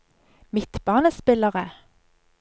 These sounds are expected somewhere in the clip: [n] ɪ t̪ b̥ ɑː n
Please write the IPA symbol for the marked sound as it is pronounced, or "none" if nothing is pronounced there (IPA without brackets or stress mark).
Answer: m